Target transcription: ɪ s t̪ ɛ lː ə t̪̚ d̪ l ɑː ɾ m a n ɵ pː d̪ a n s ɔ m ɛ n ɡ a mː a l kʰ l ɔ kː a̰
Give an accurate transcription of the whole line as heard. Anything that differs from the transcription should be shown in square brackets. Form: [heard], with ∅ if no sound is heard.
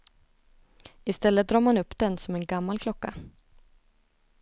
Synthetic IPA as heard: ɪ s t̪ ɛ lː ə t̪̚ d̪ [ɾ] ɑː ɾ m a n ɵ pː d̪ [ɛ] n s ɔ m ɛ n ɡ a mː a l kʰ l ɔ kː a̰